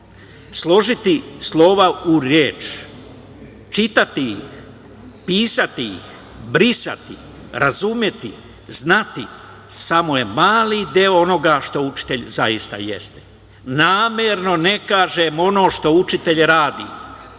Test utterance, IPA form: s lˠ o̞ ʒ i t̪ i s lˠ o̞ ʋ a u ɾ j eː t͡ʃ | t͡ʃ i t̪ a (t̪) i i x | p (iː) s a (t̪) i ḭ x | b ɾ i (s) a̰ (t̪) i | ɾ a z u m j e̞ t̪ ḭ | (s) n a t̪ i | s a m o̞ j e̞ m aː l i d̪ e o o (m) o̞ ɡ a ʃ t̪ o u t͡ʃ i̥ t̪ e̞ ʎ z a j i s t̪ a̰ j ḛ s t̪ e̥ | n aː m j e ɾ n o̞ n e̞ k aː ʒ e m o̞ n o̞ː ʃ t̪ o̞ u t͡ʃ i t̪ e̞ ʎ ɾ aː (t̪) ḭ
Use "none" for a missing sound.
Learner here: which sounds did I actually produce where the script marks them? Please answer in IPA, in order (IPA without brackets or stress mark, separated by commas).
t̪, iː, t̪, s, t̪, z, n, d̪